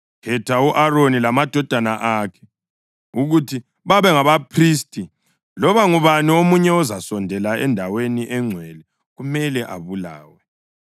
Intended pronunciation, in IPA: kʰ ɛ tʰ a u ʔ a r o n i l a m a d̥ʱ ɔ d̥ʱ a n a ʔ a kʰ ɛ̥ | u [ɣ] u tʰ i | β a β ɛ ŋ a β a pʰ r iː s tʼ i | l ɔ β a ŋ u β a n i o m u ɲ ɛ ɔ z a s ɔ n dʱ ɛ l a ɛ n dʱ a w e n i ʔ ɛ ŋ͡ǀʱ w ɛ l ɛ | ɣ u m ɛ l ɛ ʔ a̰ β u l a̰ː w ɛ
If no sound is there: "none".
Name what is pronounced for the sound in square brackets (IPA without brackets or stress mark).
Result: ɣ